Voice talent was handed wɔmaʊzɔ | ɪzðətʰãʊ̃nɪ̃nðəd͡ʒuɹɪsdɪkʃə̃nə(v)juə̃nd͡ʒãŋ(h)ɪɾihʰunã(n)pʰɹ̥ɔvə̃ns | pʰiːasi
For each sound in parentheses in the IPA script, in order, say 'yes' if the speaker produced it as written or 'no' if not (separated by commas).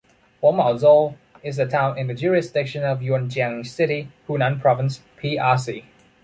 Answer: yes, no, yes